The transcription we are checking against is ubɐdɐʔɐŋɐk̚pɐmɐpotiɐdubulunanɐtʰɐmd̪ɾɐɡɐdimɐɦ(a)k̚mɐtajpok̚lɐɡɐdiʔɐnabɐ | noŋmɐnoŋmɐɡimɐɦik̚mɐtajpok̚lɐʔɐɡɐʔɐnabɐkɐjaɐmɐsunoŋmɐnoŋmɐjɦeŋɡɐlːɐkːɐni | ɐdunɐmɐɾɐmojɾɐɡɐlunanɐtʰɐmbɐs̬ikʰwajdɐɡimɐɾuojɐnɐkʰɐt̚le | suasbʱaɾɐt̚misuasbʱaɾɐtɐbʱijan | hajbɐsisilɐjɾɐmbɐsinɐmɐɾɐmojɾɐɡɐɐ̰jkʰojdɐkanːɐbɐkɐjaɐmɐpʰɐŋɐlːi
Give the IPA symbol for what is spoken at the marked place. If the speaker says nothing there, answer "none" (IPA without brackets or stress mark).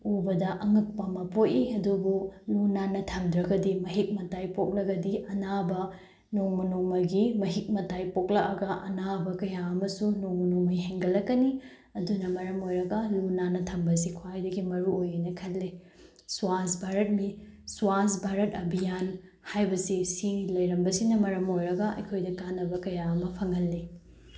i